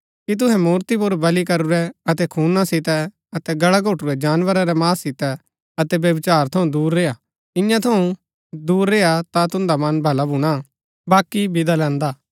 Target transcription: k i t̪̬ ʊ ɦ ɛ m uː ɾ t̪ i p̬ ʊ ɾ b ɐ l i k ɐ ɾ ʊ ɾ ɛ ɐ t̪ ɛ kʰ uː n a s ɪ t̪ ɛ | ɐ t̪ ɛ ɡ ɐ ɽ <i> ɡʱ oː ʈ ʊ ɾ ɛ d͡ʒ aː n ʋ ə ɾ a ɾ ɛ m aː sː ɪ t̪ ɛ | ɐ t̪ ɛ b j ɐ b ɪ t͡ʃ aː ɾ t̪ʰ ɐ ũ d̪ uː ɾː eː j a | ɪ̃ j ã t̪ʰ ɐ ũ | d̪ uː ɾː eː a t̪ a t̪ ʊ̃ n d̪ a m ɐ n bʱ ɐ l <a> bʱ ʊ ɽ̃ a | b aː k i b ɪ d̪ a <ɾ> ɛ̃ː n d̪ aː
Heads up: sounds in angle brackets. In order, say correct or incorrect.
incorrect, correct, incorrect

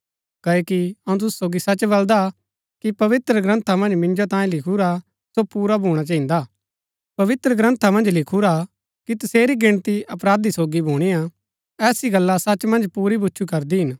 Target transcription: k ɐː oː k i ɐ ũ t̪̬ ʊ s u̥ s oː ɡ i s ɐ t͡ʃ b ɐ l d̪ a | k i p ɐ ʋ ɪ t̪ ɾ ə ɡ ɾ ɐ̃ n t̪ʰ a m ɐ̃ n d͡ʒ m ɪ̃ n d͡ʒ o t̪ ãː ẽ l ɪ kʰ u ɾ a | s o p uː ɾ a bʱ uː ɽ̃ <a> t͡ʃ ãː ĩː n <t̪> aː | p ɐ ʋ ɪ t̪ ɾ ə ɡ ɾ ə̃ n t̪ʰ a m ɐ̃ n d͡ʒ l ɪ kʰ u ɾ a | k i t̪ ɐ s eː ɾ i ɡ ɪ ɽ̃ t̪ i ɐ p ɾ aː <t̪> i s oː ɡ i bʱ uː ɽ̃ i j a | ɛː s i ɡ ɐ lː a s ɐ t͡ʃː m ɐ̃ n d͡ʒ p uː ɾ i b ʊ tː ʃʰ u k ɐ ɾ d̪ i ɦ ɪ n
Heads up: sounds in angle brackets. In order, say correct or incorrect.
correct, incorrect, incorrect

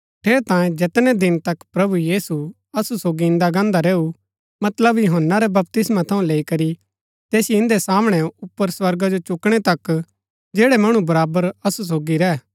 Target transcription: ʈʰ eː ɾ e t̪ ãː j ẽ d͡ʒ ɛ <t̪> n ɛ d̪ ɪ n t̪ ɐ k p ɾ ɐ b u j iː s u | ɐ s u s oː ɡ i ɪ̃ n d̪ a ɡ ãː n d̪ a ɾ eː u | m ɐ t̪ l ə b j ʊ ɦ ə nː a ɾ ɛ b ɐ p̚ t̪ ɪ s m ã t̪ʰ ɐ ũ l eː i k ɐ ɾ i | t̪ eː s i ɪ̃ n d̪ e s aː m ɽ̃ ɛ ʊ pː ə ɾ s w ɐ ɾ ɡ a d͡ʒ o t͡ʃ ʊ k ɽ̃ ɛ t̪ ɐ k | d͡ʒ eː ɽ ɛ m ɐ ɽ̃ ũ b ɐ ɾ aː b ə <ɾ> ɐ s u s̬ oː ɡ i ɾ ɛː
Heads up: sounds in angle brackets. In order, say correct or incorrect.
correct, correct

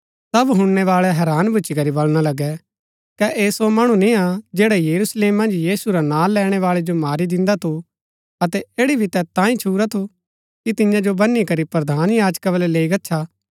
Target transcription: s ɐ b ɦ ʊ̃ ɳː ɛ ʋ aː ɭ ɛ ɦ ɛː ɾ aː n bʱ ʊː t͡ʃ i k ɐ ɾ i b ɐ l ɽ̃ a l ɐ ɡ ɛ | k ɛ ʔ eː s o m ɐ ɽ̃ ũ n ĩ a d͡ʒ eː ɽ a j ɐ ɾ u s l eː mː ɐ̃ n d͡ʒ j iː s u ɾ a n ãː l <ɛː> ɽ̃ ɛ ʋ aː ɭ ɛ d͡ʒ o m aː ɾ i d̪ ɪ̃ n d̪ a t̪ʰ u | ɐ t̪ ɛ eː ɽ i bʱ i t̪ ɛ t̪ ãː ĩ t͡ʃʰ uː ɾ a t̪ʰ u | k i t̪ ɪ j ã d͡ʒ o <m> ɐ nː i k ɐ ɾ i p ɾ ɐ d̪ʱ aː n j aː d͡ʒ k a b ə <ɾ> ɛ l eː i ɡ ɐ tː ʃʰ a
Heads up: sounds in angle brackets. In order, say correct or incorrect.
correct, incorrect, incorrect

